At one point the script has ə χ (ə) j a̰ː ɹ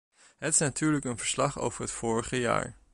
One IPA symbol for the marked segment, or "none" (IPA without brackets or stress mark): ə